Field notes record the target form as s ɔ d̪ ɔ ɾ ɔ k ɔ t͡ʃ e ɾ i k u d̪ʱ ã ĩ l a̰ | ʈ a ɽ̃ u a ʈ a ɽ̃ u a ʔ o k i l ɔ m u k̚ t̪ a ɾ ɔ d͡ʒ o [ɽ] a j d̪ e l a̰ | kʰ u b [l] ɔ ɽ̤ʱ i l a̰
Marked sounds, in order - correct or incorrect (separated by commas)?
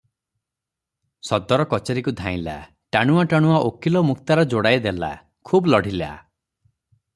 correct, correct